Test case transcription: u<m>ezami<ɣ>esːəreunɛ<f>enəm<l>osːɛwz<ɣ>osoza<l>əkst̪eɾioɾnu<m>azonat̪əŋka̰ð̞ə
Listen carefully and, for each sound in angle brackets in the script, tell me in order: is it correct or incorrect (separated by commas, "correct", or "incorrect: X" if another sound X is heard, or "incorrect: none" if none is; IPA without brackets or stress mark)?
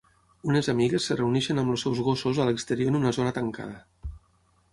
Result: incorrect: n, correct, incorrect: ʃ, correct, correct, correct, incorrect: n